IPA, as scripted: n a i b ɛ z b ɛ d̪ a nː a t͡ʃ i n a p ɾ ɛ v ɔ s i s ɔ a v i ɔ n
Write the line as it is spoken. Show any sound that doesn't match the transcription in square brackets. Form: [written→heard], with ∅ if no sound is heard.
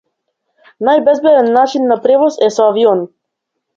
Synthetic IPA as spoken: n a [i→j] b ɛ z b ɛ d̪ [a→ɛ] nː a t͡ʃ i [n→nː] a p ɾ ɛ v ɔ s [i→ɛ] s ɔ a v i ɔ n

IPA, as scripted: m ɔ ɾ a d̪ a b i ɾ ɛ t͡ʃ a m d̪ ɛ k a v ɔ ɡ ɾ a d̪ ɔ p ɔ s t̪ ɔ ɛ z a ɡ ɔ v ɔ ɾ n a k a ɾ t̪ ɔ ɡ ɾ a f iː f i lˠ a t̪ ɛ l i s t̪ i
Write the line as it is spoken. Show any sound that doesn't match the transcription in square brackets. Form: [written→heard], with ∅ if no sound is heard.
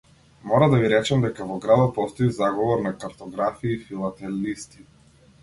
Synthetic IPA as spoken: m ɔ ɾ a d̪ a [b→v] i ɾ ɛ t͡ʃ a m d̪ ɛ k a v ɔ ɡ ɾ a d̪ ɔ p ɔ s t̪ ɔ [ɛ→i] z a ɡ ɔ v ɔ ɾ n a k a ɾ t̪ ɔ ɡ ɾ a f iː f i lˠ a t̪ ɛ l i s t̪ i

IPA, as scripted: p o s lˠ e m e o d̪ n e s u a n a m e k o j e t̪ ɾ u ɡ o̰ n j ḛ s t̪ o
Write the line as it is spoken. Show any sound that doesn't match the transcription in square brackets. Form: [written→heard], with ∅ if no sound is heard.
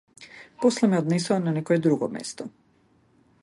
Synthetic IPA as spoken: p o s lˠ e m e o d̪ n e s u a n a [m→n] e k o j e [t̪→d̪] ɾ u ɡ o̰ [n→m] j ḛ s t̪ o

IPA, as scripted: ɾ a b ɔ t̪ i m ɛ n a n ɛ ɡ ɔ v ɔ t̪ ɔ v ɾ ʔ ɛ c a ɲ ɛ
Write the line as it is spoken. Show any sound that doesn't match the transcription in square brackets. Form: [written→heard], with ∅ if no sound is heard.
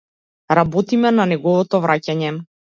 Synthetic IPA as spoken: ɾ a b ɔ t̪ i m ɛ n a n ɛ ɡ ɔ v ɔ t̪ ɔ v ɾ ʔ [ɛ→a] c a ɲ ɛ

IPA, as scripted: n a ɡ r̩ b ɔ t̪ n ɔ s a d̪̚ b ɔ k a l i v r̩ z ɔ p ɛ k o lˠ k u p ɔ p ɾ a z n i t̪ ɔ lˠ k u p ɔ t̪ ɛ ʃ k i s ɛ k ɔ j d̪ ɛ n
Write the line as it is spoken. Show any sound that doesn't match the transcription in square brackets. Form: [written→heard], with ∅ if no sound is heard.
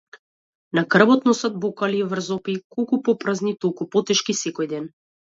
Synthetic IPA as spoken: n a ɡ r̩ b ɔ t̪ n ɔ s a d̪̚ b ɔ k a l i v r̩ z ɔ p [ɛ→i] k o lˠ k u p ɔ p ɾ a z n i t̪ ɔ lˠ k u p ɔ t̪ ɛ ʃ k i s ɛ k ɔ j d̪ ɛ n

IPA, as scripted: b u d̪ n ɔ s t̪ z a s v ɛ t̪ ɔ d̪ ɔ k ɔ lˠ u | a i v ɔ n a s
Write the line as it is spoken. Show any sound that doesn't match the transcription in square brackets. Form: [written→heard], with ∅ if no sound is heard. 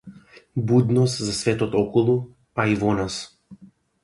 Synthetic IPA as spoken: b u d̪ n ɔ s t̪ z a s v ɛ t̪ ɔ [d̪→t̪] ɔ k ɔ lˠ u | a i v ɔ n a s

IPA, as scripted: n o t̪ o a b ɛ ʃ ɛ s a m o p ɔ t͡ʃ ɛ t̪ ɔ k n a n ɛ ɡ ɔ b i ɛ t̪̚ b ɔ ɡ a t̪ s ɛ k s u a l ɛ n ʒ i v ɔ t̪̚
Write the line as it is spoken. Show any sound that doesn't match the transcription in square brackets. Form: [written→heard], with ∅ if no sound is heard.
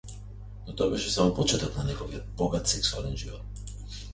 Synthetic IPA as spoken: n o t̪ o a b ɛ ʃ ɛ s a m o p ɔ t͡ʃ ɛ t̪ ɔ k n a n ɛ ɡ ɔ [b→v] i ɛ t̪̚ b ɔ ɡ a t̪ s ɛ k s u a l ɛ n ʒ i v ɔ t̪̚

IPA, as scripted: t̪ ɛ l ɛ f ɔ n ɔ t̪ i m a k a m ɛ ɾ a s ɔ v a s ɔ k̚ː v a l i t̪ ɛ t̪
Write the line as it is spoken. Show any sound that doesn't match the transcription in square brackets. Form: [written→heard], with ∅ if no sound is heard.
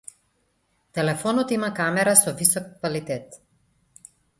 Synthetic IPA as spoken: t̪ ɛ l ɛ f ɔ n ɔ t̪ i m a k a m ɛ ɾ a s ɔ v [a→i] s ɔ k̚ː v a l i t̪ ɛ t̪

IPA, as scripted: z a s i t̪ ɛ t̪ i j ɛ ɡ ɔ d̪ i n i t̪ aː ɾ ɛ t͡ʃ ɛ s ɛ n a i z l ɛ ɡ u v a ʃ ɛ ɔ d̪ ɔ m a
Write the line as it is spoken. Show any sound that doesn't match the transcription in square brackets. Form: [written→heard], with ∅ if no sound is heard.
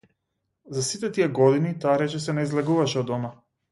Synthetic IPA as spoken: z a s i t̪ ɛ t̪ i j ɛ ɡ ɔ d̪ i n i t̪ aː ɾ ɛ t͡ʃ ɛ s ɛ n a i z l ɛ ɡ u v a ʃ ɛ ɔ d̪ ɔ m a

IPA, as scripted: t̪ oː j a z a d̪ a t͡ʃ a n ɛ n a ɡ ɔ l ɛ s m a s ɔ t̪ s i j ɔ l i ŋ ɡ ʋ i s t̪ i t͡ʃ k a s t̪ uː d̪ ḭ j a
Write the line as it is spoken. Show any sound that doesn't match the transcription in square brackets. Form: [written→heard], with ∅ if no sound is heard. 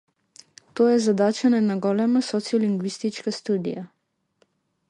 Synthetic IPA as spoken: t̪ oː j [a→ɛ] z a d̪ a t͡ʃ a n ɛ n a ɡ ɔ l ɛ [s→∅] m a s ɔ t̪ s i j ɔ l i ŋ ɡ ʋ i s t̪ i t͡ʃ k a s t̪ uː d̪ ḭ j a

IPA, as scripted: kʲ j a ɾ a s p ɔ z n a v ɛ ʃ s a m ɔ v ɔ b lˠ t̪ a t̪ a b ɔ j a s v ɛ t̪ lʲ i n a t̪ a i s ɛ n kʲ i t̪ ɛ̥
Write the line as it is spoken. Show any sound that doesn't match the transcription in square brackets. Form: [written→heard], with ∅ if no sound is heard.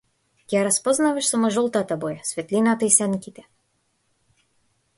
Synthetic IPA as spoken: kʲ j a ɾ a s p ɔ z n a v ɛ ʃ s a m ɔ [v→ʒ] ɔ [b→∅] lˠ t̪ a t̪ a b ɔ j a s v ɛ t̪ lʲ i n a t̪ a i s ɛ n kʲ i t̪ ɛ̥

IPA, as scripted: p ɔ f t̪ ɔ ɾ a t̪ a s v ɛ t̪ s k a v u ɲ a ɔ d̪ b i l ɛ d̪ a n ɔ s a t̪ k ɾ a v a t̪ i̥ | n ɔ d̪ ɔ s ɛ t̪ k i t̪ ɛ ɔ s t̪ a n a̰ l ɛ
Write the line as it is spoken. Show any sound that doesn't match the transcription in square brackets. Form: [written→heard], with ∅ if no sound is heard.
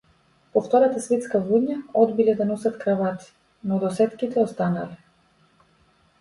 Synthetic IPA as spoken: p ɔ f t̪ ɔ ɾ a t̪ a s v ɛ t̪ s k a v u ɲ a ɔ d̪ b i l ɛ d̪ a n ɔ s a t̪ k ɾ a v a t̪ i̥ | n ɔ d̪ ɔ s ɛ t̪ k i t̪ ɛ ɔ s t̪ a n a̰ l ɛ

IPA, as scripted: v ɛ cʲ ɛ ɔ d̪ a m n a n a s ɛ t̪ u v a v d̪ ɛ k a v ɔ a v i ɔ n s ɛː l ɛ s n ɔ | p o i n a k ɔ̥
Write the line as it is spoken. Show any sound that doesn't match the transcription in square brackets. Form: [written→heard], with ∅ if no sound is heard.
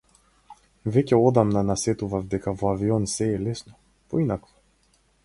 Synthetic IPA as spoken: v ɛ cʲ ɛ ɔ d̪ a m n a n a s ɛ t̪ u v a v d̪ ɛ k a v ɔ a v i ɔ n s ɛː l ɛ s n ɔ | p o i n a k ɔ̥

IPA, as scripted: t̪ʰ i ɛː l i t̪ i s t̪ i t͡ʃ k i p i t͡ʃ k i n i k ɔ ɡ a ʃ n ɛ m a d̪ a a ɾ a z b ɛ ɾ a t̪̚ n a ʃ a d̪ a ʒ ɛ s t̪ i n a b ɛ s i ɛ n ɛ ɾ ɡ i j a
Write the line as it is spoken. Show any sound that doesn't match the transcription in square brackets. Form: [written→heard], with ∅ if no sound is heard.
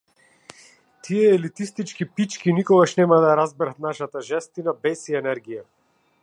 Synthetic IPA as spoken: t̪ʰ i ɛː l i t̪ i s t̪ i t͡ʃ k i p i t͡ʃ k i n i k ɔ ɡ a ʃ n ɛ m a d̪ a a ɾ a z b ɛ ɾ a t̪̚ n a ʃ a [d̪→t̪] a ʒ ɛ s t̪ i n a b ɛ s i ɛ n ɛ ɾ ɡ i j a

